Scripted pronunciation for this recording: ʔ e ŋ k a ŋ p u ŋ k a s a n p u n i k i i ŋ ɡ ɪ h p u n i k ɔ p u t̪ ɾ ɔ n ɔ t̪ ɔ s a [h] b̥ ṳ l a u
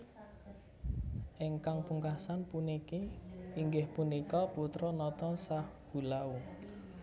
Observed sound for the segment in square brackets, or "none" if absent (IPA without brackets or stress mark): h